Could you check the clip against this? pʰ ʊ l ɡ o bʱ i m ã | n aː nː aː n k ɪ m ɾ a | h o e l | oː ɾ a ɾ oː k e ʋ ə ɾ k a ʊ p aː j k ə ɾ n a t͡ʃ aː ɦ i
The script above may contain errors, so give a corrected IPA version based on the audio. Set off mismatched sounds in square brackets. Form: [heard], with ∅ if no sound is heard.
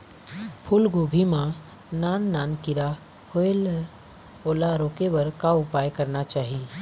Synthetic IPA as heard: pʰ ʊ l ɡ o bʱ i m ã | n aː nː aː n k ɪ [∅] ɾ a | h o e l | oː [l] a ɾ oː k e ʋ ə ɾ k a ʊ p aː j k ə ɾ n a t͡ʃ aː ɦ i